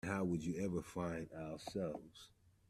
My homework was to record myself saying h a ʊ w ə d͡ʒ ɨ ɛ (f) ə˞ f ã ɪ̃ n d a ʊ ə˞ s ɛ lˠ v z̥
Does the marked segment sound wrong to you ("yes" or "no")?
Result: yes